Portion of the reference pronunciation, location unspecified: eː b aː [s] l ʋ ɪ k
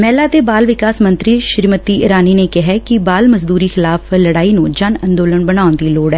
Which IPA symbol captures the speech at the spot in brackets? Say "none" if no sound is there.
none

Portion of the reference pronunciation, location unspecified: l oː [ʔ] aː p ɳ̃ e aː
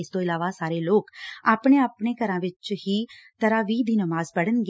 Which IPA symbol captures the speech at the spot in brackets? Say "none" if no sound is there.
k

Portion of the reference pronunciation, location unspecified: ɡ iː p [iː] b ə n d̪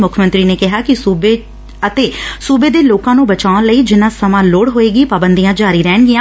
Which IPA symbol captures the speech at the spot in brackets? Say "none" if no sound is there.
aː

